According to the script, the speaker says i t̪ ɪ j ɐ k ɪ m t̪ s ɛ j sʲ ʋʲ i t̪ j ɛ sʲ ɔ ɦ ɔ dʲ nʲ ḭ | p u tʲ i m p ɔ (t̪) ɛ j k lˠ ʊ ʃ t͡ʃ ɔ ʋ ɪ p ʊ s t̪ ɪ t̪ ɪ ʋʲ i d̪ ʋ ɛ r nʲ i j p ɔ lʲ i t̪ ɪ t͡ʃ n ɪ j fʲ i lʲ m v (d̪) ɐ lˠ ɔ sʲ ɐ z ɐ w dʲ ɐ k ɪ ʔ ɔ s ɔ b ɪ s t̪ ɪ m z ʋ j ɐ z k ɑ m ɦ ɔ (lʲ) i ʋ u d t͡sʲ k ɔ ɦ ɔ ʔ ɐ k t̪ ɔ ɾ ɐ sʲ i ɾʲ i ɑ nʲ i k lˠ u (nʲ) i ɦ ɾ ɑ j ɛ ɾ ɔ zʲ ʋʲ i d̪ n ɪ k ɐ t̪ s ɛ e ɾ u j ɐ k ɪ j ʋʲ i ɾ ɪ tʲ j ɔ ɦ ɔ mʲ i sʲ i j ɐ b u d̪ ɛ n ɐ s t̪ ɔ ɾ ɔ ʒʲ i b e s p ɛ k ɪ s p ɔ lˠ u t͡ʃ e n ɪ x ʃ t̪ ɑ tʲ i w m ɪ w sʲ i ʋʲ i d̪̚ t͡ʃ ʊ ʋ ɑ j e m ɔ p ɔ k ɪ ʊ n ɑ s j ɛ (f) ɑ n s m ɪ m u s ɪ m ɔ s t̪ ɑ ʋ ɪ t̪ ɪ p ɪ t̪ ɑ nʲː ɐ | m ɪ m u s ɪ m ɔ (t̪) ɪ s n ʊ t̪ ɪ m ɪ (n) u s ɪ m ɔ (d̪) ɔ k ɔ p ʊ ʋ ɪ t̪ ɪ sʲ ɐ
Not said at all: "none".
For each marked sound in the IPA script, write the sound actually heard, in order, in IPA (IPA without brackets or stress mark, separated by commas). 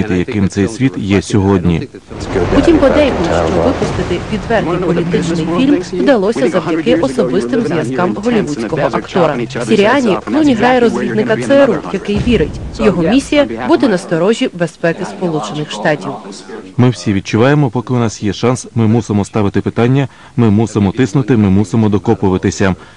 d̪, d̪, lʲ, nʲ, ʃ, t̪, m, d̪